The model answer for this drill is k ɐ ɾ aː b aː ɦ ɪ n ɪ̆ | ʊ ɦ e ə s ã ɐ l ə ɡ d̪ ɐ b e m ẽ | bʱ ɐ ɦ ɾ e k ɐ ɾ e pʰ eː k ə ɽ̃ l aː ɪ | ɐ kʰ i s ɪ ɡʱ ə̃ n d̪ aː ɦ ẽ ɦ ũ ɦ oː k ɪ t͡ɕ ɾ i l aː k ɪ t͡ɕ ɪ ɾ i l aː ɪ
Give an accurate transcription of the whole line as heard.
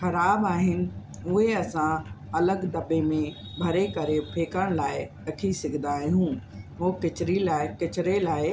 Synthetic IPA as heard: x ɐ ɾ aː b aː ɦ ɪ n ɪ̆ | ʊ ɦ e ɐ s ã ɐ l ə ɡ d̪ ɐ b e m ẽ | bʱ ɐ ɾ e k ɐ ɾ e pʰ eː k ə ɽ̃ l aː ɪ | ɐ kʰ i s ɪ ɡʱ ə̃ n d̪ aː ɦ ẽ ɦ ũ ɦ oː k ɪ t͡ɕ ɾ i l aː k ɪ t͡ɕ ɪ ɾ e l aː ɪ